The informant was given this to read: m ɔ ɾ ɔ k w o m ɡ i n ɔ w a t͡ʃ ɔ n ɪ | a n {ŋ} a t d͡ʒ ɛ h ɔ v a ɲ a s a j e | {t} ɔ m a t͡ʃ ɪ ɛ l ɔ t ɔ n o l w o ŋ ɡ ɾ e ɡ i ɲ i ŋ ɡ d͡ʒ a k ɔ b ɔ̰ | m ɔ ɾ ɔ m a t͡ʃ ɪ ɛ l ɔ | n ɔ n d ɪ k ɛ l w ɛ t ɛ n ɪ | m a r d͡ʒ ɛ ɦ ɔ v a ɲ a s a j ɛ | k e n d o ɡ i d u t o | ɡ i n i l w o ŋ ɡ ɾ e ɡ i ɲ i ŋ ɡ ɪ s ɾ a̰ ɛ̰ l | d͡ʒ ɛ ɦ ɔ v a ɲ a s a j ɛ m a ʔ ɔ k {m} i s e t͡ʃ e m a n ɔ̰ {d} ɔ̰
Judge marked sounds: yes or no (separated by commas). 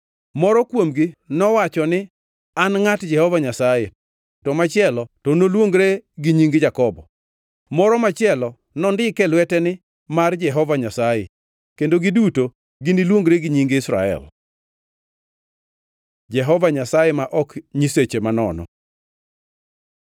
yes, yes, no, no